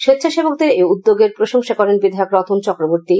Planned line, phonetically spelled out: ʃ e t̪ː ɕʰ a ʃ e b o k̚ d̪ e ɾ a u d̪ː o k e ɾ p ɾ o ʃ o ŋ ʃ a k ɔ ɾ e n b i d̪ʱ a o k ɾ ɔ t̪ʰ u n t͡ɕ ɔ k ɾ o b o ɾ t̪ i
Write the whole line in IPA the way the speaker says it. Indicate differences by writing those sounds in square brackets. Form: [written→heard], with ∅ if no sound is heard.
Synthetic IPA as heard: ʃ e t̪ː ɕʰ a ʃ e b o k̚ d̪ e ɾ [a→e] u d̪ː o [k→ɡ] e ɾ p ɾ o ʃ o ŋ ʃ a k ɔ ɾ e n b i d̪ʱ a o k ɾ ɔ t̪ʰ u n t͡ɕ ɔ k ɾ o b o ɾ t̪ i